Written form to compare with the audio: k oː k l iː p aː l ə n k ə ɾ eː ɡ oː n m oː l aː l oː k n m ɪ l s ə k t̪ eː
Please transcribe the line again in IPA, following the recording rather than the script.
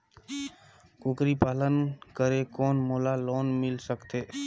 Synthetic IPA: k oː k ɾ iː p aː l ə n k ə ɾ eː k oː n m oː l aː l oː n m ɪ l s ə k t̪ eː

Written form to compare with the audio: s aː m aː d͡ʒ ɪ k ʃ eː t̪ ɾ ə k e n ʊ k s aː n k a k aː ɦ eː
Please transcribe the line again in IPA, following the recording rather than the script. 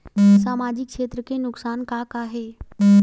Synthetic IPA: s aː m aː d͡ʒ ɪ k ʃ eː t̪ ɾ ə k e n ʊ k s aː n k a k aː ɦ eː

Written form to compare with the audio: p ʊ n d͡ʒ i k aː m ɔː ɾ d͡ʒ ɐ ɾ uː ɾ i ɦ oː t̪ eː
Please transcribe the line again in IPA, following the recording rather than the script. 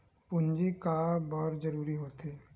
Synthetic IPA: p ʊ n d͡ʒ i k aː b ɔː ɾ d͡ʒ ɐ ɾ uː ɾ i ɦ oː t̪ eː

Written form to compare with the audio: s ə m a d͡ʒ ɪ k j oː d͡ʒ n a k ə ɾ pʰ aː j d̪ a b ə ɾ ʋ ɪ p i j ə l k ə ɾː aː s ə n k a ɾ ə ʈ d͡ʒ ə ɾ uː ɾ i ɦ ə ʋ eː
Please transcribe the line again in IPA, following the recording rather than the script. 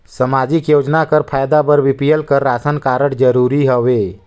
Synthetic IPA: s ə m a d͡ʒ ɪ k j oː d͡ʒ n a k ə ɾ pʰ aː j d̪ a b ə ɾ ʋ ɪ p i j ə l k ə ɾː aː s ə n k a ɾ ə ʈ d͡ʒ ə ɾ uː ɾ i ɦ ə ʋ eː

